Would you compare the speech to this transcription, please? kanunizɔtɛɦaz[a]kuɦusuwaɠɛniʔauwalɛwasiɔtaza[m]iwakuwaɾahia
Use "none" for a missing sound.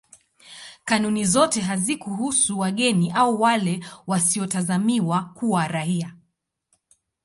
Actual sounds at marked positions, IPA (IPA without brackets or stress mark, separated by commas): i, m